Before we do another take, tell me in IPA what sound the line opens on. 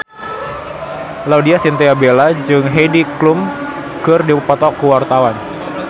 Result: l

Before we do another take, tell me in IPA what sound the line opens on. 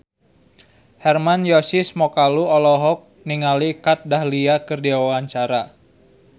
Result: h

